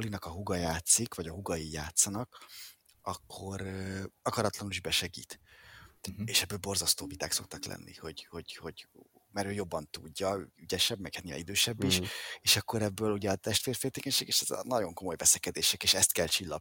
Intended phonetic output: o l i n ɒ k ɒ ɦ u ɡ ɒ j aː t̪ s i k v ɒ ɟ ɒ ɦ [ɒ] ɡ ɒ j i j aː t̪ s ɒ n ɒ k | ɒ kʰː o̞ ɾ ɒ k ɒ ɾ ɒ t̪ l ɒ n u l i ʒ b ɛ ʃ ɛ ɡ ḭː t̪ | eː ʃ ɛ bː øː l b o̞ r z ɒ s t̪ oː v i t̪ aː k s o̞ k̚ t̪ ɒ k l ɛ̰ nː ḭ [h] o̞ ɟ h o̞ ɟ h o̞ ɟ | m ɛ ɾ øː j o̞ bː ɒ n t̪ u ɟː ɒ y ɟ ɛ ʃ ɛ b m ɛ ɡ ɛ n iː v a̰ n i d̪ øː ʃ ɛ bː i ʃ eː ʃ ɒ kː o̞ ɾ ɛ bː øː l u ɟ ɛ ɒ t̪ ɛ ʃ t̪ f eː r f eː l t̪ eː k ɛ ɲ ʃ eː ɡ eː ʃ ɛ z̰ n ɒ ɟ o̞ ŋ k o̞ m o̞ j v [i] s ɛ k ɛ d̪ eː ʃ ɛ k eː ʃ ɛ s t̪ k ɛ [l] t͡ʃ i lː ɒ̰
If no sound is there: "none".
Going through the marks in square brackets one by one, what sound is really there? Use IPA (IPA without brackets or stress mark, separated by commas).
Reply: u, h, ɛ, l